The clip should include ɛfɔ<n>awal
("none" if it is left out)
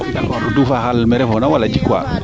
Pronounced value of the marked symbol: n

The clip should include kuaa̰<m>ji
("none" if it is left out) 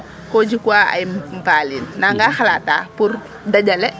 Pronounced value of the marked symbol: none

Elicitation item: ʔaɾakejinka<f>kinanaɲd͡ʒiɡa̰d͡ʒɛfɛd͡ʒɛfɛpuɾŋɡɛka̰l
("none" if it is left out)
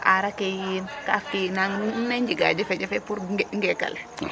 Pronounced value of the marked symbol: f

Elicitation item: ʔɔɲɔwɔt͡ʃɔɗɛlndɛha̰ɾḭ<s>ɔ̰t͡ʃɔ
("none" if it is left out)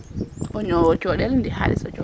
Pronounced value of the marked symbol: s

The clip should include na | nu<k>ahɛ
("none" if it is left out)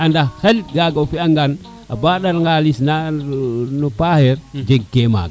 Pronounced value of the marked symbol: p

